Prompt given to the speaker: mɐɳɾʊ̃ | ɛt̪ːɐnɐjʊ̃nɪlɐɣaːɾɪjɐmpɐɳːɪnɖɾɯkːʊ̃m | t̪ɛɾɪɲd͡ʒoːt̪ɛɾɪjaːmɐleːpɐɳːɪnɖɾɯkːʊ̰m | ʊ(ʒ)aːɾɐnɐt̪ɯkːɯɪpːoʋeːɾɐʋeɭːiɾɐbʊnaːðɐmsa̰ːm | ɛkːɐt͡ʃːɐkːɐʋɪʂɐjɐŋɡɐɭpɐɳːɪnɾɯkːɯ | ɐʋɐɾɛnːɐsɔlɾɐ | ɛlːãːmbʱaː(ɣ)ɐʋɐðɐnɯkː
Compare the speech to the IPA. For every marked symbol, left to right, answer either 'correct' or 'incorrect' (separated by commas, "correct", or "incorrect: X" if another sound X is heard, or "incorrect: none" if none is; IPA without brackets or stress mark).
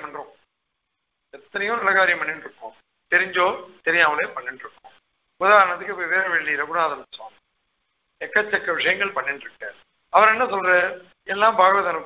incorrect: ð, correct